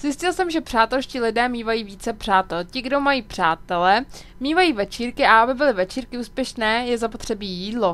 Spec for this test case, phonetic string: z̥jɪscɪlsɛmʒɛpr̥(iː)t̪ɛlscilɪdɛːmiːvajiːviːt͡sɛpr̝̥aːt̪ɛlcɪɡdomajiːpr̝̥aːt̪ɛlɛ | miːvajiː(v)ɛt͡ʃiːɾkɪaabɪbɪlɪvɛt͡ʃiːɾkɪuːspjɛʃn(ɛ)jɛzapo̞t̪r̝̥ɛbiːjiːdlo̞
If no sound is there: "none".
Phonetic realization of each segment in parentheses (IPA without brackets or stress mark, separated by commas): aː, v, ɛː